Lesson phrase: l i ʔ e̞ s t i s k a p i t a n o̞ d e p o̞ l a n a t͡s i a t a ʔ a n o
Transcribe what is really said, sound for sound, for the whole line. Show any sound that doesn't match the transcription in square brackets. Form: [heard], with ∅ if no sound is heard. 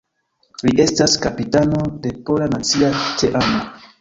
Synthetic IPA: l i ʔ e̞ s t [a] s k a p i t a n o̞ d e p o̞ l a n a t͡s i a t [e] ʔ a n o